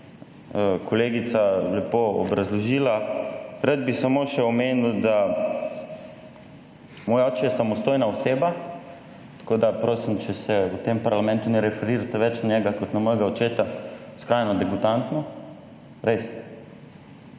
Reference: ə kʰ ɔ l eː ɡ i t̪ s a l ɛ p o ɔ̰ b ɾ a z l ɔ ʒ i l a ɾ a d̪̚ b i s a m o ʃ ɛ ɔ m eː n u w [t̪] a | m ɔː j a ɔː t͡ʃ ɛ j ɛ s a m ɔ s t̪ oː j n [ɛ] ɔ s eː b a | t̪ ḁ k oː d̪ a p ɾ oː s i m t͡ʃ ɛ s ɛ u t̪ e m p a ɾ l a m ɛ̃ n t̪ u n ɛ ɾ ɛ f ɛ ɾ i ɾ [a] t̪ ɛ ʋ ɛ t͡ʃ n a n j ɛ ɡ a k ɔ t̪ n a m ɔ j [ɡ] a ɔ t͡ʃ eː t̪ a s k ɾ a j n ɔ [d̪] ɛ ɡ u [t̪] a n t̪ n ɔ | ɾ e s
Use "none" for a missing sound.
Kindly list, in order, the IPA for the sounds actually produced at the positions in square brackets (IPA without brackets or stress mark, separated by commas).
d̪, a, a, ɡ, d̪, t̪